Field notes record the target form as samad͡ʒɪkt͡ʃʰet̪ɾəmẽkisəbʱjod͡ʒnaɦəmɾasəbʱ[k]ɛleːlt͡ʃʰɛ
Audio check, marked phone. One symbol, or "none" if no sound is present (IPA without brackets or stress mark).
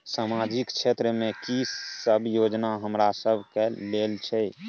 k